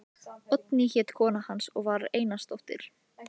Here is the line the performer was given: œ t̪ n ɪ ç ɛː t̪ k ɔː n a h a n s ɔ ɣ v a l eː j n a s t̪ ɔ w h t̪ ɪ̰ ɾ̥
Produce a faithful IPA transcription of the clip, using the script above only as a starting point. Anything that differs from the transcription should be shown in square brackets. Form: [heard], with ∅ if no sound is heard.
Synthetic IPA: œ t̪ n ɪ ç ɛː t̪ [kʰ] ɔː n a h a n s ɔ ɣ v a [ɾ] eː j n a s t̪ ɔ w h t̪ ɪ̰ ɾ̥